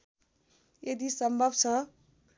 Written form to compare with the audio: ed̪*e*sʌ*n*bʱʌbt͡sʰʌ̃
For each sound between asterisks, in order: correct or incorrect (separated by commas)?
incorrect, incorrect